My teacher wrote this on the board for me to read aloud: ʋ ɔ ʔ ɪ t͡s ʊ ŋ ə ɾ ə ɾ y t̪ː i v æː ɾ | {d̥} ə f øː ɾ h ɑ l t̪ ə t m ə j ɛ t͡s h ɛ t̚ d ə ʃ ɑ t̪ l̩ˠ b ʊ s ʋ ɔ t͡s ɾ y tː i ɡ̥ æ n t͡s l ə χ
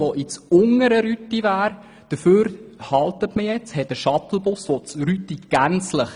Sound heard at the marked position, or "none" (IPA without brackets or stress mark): d̥